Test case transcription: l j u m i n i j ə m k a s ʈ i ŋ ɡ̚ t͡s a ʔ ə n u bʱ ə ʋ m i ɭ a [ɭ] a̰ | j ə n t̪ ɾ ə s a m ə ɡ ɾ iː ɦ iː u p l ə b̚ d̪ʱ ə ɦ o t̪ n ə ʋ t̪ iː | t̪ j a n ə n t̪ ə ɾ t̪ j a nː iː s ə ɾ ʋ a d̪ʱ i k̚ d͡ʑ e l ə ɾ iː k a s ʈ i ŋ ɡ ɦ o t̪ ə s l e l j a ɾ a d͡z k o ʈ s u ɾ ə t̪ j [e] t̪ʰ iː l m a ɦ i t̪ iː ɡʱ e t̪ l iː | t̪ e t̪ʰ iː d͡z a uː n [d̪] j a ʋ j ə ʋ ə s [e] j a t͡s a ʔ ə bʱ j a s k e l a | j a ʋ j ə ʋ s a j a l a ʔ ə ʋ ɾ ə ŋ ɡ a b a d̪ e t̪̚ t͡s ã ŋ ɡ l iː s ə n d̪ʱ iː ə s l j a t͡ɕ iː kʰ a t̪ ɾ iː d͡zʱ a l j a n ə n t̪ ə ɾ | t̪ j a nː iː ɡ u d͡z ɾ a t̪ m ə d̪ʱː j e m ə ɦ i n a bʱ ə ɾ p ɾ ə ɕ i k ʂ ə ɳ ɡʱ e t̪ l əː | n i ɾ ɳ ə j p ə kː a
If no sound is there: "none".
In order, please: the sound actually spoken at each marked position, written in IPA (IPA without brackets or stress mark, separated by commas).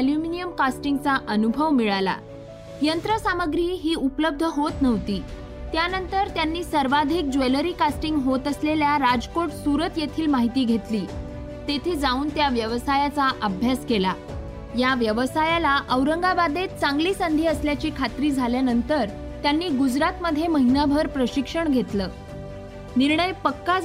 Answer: l, e, t̪, a